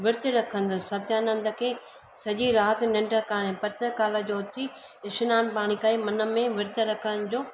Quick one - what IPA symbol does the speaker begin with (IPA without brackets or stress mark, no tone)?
ʋ